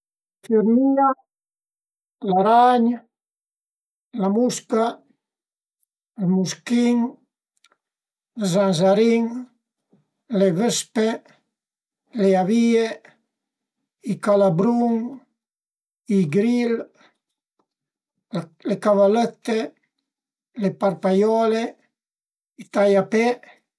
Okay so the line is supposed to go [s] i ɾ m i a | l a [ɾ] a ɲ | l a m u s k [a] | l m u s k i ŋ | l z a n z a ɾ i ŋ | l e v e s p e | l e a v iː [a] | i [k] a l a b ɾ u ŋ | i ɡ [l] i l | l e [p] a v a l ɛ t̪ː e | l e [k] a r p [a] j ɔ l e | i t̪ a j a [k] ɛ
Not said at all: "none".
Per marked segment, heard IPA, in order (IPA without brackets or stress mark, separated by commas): f, ɾ, a, e, k, ɾ, k, p, a, p